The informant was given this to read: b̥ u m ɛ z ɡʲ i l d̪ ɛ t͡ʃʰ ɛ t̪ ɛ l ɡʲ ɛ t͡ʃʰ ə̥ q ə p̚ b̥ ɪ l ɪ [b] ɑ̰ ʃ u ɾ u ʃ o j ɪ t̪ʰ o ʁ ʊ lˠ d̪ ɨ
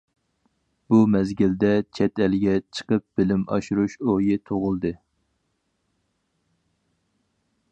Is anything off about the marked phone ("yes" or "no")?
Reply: yes